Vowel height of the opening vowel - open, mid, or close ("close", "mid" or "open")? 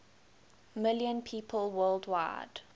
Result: close